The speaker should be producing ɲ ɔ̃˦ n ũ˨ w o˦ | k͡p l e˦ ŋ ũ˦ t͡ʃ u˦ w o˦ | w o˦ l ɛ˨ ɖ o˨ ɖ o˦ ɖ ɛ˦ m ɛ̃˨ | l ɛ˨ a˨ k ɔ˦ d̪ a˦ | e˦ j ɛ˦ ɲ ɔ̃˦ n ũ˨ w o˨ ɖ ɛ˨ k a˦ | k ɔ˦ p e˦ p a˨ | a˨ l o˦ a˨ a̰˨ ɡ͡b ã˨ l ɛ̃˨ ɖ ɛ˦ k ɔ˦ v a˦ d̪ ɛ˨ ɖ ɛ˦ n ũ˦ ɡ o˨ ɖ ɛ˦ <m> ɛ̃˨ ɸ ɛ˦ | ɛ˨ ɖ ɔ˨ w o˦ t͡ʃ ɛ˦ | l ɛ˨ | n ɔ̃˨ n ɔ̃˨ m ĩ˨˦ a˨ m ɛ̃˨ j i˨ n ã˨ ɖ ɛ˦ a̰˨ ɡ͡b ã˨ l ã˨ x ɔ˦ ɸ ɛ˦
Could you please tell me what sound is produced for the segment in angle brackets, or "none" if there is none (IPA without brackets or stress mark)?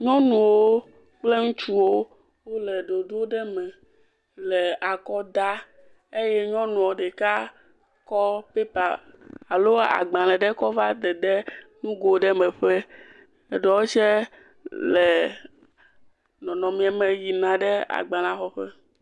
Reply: m